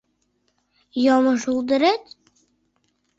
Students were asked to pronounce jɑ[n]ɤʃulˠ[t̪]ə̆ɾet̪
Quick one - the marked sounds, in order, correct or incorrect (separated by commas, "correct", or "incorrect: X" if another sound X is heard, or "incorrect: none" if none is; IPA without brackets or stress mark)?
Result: incorrect: m, incorrect: d̪